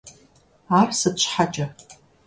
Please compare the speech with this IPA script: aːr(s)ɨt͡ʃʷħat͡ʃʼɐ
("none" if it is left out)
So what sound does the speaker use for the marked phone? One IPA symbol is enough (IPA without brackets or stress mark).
s